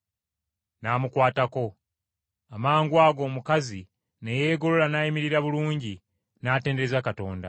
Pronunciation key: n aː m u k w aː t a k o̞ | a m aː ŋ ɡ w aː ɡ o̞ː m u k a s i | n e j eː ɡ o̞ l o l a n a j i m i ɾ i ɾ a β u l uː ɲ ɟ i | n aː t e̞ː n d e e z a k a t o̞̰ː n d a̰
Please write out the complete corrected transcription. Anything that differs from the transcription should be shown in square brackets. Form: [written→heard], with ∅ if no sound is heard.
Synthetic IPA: n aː m u k w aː t a k o̞ | a m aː ŋ ɡ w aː ɡ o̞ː m u k a [s→z] i | n e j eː ɡ o̞ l o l a n a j i m i ɾ i ɾ a β u l uː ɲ ɟ i | n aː t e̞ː n d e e z a k a t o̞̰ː n d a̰